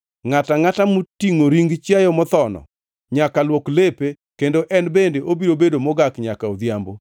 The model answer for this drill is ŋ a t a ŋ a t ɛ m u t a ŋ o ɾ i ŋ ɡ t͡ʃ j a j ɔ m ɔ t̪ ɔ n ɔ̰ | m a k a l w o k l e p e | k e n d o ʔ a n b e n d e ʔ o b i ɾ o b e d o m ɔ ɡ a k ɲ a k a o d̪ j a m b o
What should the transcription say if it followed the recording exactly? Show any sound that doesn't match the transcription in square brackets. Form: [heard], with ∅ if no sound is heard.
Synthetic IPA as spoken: ŋ a t a ŋ a t [a] m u t [i] ŋ o ɾ i ŋ ɡ t͡ʃ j a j ɔ m ɔ t̪ ɔ n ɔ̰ | [ɲ] a k a l w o k l e p e | k e n d o ʔ [ɛ] n b e n d e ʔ o b i ɾ o b e d o m ɔ ɡ a k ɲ a k a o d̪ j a m b o